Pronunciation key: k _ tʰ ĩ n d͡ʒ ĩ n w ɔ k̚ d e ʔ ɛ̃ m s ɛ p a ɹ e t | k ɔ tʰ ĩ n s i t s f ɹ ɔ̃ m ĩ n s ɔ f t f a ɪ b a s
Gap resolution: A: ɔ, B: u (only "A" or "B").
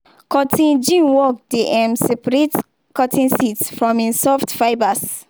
A